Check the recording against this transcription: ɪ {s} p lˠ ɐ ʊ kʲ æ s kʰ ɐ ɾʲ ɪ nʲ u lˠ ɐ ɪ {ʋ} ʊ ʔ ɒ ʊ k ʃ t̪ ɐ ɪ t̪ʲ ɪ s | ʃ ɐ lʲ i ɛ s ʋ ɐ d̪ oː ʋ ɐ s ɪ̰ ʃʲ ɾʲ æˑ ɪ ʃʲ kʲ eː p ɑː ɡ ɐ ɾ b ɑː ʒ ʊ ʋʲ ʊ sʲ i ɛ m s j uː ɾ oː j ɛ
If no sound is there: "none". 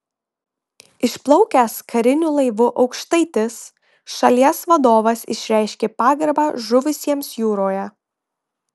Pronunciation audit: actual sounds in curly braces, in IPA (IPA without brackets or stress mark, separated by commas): ʃ, ʋ